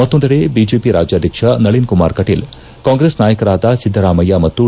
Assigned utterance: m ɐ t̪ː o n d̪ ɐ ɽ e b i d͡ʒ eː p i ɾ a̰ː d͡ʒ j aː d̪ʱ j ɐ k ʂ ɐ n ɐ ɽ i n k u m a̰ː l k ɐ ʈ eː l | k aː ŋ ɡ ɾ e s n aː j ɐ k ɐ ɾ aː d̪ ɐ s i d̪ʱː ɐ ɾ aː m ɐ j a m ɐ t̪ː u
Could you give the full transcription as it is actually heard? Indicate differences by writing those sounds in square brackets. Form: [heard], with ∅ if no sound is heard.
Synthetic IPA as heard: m ɐ t̪ː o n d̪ ɐ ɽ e b i d͡ʒ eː p i ɾ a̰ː d͡ʒ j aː d̪ʱ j ɐ k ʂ ɐ n ɐ [ɭ] i n k u m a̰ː [ɾ] k ɐ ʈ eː l | k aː ŋ ɡ ɾ e s n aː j ɐ k ɐ ɾ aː d̪ ɐ s i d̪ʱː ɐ ɾ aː m ɐ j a m ɐ t̪ː u